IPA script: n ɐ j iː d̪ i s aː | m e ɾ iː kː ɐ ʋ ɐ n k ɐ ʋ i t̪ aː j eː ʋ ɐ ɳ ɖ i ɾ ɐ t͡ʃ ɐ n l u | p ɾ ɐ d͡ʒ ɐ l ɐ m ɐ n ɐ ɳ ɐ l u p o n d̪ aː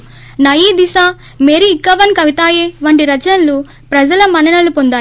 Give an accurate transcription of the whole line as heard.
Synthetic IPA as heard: n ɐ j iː d̪ i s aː | m e ɾ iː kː ɐ ʋ ɐ n k ɐ ʋ i t̪ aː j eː ʋ ɐ ɳ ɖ i ɾ ɐ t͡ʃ ɐ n l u | p ɾ ɐ d͡ʒ ɐ l ɐ m ɐ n ɐ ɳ ɐ l u p o n d̪ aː

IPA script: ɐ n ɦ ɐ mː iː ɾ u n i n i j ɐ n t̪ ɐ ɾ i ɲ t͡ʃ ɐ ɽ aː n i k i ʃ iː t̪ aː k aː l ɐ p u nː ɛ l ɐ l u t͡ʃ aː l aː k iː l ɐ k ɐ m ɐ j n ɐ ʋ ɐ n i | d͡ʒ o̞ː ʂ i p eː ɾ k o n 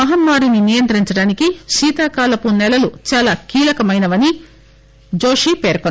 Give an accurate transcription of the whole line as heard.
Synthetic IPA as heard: ɐ ɦ ɐ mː aː ɾ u n i n i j ɐ n t̪ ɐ ɾ i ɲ t͡ʃ ɐ ɽ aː n i k i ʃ iː t̪ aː k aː l ɐ p u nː ɛ l ɐ l u t͡ʃ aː l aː k iː l ɐ k ɐ m ɐ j n ɐ ʋ ɐ n i | d͡ʒ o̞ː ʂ i p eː ɾ k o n

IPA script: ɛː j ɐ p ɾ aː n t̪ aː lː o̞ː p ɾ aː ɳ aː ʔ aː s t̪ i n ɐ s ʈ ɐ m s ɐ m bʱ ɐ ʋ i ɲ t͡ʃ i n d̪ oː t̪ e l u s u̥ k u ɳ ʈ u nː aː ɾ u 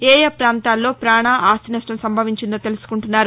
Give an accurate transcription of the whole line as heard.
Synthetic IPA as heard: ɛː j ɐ p ɾ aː n t̪ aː lː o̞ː p ɾ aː ɳ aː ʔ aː s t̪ i n ɐ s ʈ ɐ m s ɐ m bʱ ɐ ʋ i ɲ t͡ʃ i n d̪ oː t̪ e l u s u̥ k u ɳ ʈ u nː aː ɾ u

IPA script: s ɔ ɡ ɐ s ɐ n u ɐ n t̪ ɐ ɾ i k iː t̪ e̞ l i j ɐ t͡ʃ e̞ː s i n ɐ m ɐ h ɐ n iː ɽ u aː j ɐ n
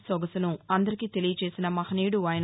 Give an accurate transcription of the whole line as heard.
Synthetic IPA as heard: s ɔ ɡ ɐ s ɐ n u ɐ n d̪ ɐ ɾ i k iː t̪ e̞ l i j ɐ t͡ʃ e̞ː s i n ɐ m ɐ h ɐ n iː ɽ u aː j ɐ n

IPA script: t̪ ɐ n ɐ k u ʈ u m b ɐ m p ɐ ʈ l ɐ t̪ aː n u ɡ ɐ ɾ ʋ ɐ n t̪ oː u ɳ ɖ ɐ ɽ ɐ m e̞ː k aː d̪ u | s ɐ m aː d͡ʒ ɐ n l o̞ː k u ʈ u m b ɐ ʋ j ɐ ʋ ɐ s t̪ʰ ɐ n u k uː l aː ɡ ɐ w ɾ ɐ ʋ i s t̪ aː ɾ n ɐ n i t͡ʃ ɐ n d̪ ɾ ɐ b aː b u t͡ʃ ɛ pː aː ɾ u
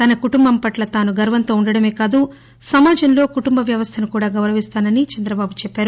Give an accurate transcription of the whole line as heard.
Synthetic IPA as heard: t̪ ɐ n ɐ k u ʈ u m b ɐ m p ɐ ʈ l ɐ t̪ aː n u ɡ ɐ ɾ ʋ ɐ n t̪ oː u ɳ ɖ ɐ ɽ ɐ m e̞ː k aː d̪ u | s ɐ m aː d͡ʒ ɐ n l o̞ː k u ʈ u m b ɐ ʋ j ɐ ʋ ɐ s t̪ʰ ɐ n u k uː ɽ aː ɡ ɐ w ɾ ɐ ʋ i s t̪ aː n ɐ n i t͡ʃ ɐ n d̪ ɾ ɐ b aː b u t͡ʃ ɛ pː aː ɾ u

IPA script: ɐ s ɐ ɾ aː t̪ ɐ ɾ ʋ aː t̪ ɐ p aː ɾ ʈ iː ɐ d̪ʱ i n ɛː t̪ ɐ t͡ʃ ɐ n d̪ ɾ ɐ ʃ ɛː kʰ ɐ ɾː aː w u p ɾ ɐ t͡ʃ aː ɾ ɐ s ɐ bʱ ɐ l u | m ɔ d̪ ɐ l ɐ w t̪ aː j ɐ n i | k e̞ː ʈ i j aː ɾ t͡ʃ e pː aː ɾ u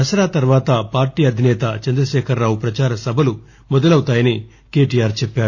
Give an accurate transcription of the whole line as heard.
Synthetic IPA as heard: ɐ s ɐ ɾ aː t̪ ɐ ɾ ʋ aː t̪ ɐ p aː ɾ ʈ iː ɐ d̪ʱ i n ɛː t̪ ɐ t͡ʃ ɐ n d̪ ɾ ɐ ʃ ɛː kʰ ɐ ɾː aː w u p ɾ ɐ t͡ʃ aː ɾ ɐ s ɐ bʱ ɐ l u | m ɔ d̪ ɐ l ɐ w t̪ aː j ɐ n i | k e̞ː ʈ i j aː ɾ t͡ʃ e pː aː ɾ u

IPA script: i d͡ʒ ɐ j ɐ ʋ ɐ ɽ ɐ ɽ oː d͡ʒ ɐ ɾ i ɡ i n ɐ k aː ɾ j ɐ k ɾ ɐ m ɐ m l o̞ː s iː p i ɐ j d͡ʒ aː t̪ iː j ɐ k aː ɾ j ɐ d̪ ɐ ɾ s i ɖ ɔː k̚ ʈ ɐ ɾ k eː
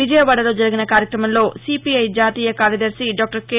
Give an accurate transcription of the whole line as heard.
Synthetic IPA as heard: i d͡ʒ ɐ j ɐ ʋ ɐ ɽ ɐ l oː d͡ʒ ɐ ɾ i ɡ i n ɐ k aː ɾ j ɐ k ɾ ɐ m ɐ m l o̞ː s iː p i ɐ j d͡ʒ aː t̪ iː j ɐ k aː ɾ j ɐ d̪ ɐ ɾ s i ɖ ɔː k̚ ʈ ɐ ɾ k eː

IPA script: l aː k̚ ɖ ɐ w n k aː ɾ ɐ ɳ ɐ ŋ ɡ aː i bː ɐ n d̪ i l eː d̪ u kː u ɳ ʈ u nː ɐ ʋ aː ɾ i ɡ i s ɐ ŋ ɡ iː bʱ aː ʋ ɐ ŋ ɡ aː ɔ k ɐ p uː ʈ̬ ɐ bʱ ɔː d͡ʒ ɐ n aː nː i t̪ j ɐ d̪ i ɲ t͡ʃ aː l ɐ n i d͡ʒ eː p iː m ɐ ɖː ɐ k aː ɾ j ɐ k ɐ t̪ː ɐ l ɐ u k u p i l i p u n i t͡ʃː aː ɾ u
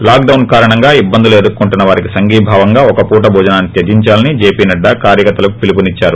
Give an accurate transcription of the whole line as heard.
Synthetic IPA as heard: l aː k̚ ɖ ɐ w n k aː ɾ ɐ ɳ ɐ ŋ ɡ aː i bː ɐ n d̪ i l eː d̪ u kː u ɳ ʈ u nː ɐ ʋ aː ɾ i k i s ɐ ŋ ɡ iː bʱ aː ʋ ɐ ŋ ɡ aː ɔ k ɐ p uː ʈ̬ ɐ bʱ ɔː d͡ʒ ɐ n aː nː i t̪ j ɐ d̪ i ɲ t͡ʃ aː l ɐ n i d͡ʒ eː p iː n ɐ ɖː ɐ k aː ɾ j ɐ k ɐ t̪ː ɐ l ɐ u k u p i l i p u n i t͡ʃː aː ɾ u

